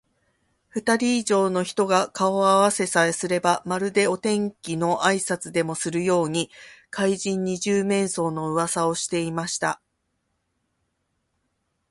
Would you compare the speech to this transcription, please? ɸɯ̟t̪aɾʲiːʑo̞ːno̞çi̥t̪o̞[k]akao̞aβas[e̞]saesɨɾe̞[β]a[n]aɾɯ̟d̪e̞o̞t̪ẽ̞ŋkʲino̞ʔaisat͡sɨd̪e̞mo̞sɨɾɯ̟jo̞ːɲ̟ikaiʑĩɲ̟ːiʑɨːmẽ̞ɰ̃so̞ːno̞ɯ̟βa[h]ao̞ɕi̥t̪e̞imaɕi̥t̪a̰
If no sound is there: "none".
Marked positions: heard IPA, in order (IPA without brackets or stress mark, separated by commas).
ɡ, e̞, b, m, s